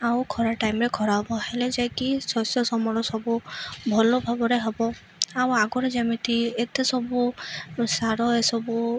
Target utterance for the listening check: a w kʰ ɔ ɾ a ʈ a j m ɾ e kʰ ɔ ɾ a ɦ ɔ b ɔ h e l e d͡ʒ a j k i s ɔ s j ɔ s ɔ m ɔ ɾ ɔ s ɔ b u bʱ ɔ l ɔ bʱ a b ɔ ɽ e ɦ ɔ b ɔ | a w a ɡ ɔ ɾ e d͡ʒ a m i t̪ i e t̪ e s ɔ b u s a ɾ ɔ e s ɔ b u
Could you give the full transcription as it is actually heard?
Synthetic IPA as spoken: a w kʰ ɔ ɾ a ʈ a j m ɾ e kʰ ɔ ɾ a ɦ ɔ b ɔ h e l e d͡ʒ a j k i s ɔ s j ɔ s ɔ m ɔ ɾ ɔ s ɔ b u bʱ ɔ l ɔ bʱ a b ɔ ɾ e ɦ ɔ b ɔ | a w a ɡ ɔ ɾ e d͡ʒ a m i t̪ i e t̪ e s ɔ b u s a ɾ ɔ e s ɔ b u

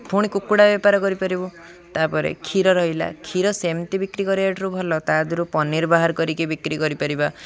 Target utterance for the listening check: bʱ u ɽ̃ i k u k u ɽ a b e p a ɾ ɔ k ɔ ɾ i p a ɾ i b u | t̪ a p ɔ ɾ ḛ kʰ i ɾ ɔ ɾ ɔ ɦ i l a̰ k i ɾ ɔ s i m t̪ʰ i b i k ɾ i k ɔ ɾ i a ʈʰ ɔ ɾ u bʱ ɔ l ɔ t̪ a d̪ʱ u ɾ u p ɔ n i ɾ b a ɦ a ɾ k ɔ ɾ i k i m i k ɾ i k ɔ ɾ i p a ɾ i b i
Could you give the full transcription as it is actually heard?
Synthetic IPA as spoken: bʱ u ɽ̃ i k u k u ɽ a b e p a ɾ ɔ k ɔ ɾ i p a ɾ i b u | t̪ a p ɔ ɾ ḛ kʰ i ɾ ɔ ɾ ɔ ɦ i l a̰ kʰ i ɾ ɔ s e m t̪ i b i k ɾ i k ɔ ɾ i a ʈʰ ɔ ɾ u bʱ ɔ l ɔ t̪ a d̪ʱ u ɾ u p ɔ n i ɾ b a ɦ a ɾ k ɔ ɾ i k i b i k ɾ i k ɔ ɾ i p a ɾ i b a

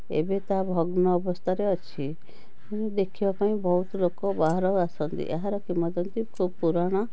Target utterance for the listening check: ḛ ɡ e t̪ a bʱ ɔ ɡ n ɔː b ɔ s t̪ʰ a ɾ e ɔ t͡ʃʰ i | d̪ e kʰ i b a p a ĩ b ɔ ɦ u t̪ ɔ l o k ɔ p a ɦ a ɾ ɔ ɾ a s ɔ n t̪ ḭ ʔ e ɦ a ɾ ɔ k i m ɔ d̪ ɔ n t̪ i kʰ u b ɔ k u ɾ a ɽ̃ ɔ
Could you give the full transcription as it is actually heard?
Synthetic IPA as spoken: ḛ b e t̪ a bʱ ɔ ɡ n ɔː b ɔ s t̪ʰ a ɾ e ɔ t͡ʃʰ i | d̪ e kʰ i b a p a ĩ b ɔ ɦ u t̪ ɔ l o k ɔ b a ɦ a ɾ ɔ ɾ a s ɔ n t̪ ḭ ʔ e ɦ a ɾ ɔ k i m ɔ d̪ ɔ n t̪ i kʰ u b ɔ p u ɾ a ɽ̃ ɔ

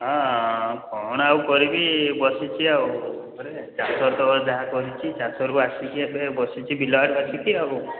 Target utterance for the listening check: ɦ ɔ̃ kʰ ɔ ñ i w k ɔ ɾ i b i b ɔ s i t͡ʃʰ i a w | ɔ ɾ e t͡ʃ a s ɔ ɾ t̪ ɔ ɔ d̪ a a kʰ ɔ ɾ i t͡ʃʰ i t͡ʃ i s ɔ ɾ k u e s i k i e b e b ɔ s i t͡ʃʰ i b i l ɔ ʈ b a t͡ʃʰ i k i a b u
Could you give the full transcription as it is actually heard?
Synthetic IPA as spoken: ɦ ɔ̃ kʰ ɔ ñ a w k ɔ ɾ i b i b ɔ s i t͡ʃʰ i a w | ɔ ɾ e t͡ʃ a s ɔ ɾ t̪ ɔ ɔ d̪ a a k ɔ ɾ i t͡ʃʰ i t͡ʃ a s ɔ ɾ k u a s i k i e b e b ɔ s i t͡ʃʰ i b i l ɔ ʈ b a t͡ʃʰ i k i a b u

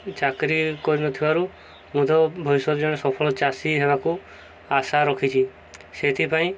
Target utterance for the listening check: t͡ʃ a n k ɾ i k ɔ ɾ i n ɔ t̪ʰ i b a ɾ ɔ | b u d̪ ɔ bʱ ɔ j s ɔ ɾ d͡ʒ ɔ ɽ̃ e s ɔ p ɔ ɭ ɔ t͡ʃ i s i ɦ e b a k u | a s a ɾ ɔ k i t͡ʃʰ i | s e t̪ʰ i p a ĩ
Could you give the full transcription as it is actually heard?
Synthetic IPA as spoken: t͡ʃ a k ɾ i k ɔ ɾ i n ɔ t̪ʰ i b a ɾ u | m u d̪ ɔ bʱ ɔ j s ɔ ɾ d͡ʒ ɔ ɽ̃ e s ɔ pʰ ɔ ɭ ɔ t͡ʃ a s i ɦ e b a k u | a s a ɾ ɔ kʰ i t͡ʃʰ i | s e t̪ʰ i p a ĩ

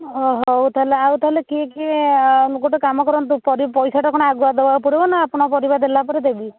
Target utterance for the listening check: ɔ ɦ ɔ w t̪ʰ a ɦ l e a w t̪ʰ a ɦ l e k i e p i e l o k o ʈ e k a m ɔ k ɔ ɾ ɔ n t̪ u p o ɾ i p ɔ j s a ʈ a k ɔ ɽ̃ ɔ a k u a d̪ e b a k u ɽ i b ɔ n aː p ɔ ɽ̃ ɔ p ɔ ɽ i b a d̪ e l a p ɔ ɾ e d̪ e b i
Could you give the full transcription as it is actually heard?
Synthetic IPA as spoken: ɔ ɦ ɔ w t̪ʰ a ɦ l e a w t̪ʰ a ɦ l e k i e k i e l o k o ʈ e k a m ɔ k ɔ ɾ ɔ n t̪ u p ɔ ɾ i p ɔ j s a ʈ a k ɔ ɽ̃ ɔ a ɡ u a d̪ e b a p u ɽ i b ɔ n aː p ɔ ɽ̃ ɔ p ɔ ɾ i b a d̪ e l a p ɔ ɾ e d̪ e b i

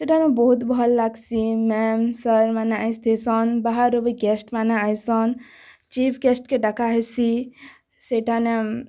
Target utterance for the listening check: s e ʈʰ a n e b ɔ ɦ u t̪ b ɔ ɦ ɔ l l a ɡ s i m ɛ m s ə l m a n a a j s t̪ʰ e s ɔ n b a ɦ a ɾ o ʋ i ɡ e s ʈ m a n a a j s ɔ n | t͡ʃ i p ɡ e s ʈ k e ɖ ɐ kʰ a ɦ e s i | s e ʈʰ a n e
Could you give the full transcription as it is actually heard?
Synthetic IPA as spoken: s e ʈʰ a n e b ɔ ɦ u t̪ b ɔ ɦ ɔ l l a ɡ s i m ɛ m s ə ɾ m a n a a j s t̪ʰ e s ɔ n b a ɦ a ɾ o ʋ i ɡ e s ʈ m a n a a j s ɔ n | t͡ʃ i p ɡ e s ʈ k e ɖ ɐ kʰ a ɦ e s i | s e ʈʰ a n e

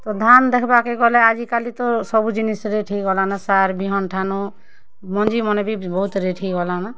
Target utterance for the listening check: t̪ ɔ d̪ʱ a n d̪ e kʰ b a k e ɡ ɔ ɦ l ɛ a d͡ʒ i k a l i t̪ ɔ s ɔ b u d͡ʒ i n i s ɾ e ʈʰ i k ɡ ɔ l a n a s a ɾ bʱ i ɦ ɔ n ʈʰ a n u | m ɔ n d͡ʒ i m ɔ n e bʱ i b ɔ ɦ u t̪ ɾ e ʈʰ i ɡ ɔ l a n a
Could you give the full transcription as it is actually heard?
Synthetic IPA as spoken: t̪ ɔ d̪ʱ a n d̪ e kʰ b a k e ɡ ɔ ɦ l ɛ a d͡ʒ i k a l i t̪ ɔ s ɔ b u d͡ʒ i n i s ɾ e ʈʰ i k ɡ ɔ l a n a s a ɾ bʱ i ɦ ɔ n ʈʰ a n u | m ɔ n d͡ʒ i m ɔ n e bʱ i b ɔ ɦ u t̪ ɾ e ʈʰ i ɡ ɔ l a n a

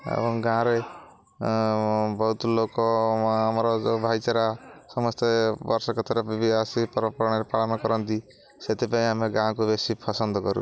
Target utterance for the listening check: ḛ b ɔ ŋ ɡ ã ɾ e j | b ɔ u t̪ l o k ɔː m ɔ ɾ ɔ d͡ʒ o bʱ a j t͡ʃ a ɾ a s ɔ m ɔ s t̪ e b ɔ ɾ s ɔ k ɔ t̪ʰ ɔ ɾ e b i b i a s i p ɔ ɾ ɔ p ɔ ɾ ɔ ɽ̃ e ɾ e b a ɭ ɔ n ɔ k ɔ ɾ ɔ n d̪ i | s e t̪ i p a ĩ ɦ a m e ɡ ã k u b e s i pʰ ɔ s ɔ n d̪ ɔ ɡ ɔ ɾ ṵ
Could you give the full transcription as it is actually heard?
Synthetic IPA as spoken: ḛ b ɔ ŋ ɡ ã ɾ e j | b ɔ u t̪ l o k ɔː m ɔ ɾ ɔ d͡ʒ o bʱ a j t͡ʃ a ɾ a s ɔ m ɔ s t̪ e b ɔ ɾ s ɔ k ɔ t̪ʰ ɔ ɾ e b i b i a s i p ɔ ɾ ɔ p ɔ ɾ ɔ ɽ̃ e ɾ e p a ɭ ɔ n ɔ k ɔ ɾ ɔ n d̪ i | s e t̪ i p a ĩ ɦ a m e ɡ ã k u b e s i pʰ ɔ s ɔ n d̪ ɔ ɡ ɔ ɾ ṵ

